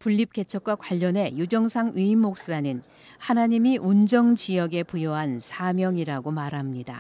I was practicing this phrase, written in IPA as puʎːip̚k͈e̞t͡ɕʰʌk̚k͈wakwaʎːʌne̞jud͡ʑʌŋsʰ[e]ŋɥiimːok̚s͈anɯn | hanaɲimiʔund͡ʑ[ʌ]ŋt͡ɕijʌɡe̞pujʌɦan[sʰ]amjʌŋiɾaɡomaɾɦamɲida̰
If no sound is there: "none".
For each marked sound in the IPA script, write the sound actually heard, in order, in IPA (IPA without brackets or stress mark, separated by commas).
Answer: a, ʌ, sʰ